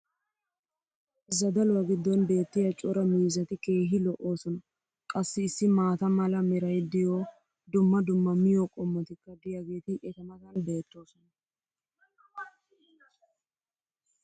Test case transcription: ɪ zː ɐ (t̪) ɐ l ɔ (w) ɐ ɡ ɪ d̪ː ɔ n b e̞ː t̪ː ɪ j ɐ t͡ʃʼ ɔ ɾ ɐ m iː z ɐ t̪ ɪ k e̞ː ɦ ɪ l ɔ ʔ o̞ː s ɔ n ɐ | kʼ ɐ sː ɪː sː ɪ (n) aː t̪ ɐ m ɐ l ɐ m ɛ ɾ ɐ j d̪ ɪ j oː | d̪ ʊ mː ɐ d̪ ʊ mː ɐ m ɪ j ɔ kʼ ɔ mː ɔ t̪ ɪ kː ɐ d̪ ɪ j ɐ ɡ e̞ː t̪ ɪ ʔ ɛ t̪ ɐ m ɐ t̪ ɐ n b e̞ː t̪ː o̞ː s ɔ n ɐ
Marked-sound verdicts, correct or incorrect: incorrect: d̪, correct, incorrect: m

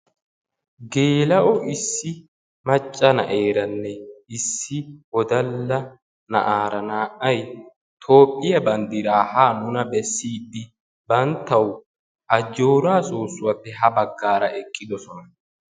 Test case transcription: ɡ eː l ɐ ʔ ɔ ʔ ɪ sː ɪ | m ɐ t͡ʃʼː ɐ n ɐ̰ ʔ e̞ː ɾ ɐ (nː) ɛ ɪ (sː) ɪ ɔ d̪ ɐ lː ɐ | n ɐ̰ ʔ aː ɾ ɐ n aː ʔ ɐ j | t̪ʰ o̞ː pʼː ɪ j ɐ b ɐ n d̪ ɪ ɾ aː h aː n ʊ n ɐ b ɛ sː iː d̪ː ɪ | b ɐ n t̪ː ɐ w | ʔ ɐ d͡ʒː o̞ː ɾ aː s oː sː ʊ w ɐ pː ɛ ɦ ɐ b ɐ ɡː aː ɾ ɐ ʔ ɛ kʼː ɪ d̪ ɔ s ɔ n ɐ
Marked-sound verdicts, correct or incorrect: correct, correct

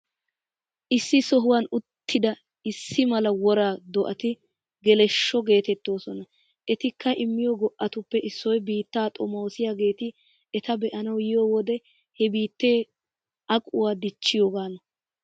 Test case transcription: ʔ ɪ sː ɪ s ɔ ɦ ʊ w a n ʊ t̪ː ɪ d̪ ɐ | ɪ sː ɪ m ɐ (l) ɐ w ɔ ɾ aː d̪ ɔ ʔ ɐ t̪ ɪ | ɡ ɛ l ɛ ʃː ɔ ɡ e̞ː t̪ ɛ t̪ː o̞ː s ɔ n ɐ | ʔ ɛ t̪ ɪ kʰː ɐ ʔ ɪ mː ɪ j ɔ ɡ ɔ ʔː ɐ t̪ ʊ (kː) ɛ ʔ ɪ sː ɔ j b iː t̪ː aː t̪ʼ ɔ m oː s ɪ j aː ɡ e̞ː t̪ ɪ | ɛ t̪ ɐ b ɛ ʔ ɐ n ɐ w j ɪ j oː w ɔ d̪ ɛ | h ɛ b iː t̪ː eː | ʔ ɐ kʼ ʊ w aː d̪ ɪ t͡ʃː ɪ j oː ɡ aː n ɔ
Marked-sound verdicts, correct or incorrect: correct, incorrect: pː

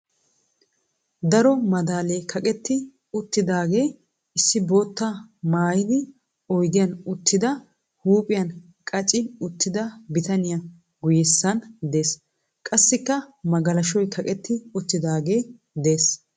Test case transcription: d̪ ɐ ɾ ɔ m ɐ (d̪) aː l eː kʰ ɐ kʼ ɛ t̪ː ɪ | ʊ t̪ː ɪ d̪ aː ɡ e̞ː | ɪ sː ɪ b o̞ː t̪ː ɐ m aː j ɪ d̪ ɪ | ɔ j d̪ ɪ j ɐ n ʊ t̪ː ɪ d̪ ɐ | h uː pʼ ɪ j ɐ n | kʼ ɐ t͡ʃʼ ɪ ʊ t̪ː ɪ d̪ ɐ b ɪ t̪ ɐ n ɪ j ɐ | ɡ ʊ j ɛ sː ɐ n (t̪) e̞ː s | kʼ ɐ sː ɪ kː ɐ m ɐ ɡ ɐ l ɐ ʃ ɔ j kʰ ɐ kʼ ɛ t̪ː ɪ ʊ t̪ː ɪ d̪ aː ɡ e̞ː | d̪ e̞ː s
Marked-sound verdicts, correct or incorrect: correct, incorrect: d̪

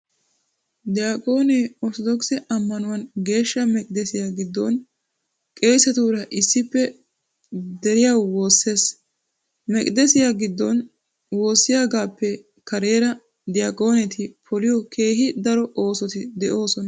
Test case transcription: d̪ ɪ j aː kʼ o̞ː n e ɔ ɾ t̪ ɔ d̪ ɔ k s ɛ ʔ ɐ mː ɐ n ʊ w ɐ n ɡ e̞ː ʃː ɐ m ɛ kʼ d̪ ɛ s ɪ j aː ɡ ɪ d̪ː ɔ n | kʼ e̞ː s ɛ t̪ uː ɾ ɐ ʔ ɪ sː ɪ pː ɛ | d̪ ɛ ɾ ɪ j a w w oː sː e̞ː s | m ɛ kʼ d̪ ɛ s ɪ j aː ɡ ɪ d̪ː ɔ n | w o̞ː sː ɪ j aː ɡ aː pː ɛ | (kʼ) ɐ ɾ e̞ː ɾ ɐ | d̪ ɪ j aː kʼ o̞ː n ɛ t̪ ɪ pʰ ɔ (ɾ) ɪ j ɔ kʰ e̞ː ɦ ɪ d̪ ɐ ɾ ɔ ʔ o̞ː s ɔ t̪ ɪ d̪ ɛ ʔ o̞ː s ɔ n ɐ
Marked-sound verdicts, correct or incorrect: incorrect: k, incorrect: l

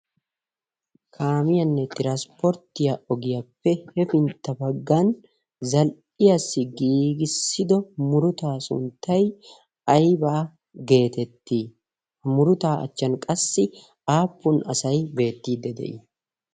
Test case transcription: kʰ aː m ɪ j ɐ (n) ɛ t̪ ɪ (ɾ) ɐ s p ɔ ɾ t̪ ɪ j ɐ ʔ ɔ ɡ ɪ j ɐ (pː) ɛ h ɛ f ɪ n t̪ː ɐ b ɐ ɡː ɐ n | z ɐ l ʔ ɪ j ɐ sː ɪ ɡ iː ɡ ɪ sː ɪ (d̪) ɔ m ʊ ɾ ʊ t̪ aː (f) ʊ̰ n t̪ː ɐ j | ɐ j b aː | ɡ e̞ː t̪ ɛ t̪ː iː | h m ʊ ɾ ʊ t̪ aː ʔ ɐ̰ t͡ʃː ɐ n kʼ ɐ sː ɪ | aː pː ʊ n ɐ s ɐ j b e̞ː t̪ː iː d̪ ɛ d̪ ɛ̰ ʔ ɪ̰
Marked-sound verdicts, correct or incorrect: incorrect: nː, correct, correct, correct, incorrect: s

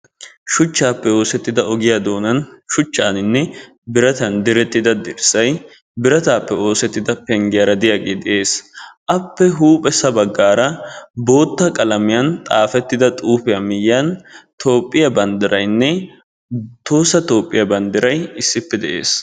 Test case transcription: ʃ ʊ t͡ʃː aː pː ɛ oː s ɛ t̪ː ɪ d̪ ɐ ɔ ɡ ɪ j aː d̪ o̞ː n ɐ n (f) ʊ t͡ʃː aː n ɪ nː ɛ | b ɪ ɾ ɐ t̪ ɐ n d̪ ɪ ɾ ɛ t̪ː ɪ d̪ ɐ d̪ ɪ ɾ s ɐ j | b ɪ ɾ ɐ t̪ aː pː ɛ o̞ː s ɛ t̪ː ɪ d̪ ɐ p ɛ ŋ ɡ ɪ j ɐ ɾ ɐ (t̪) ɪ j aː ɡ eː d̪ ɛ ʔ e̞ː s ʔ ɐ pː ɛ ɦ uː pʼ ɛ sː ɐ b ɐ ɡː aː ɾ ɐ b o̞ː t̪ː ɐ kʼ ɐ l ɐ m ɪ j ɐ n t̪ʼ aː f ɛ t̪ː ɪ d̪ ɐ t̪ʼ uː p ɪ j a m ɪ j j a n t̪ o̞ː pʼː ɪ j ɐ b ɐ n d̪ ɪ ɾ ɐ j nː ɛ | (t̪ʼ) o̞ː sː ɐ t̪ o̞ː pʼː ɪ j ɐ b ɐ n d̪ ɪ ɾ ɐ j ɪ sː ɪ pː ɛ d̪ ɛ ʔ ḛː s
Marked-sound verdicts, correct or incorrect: incorrect: ʃ, incorrect: d̪, incorrect: t̪

